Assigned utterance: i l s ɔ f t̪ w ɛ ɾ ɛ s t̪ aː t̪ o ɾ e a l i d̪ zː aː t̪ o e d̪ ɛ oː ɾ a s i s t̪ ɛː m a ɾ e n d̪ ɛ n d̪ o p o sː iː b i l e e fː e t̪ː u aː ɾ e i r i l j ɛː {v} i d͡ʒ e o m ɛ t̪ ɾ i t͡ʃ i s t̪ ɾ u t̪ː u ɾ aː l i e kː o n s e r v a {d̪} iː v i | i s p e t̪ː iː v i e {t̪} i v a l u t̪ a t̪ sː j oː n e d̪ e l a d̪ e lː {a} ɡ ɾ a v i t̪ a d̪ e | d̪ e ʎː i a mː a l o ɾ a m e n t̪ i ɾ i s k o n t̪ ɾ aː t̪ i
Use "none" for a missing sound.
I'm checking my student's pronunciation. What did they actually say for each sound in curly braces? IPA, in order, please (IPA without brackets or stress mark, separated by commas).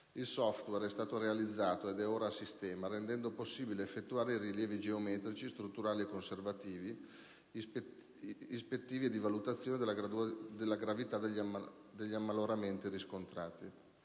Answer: v, t̪, d̪, a